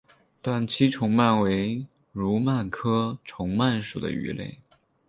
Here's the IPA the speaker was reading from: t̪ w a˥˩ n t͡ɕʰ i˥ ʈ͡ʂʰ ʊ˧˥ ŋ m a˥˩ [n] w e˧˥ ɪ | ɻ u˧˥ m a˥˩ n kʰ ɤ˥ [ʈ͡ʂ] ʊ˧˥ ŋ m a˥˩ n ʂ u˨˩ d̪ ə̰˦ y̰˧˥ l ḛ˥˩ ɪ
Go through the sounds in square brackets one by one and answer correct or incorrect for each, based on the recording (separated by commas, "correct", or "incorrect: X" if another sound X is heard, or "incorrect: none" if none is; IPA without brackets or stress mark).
correct, incorrect: ʈ͡ʂʰ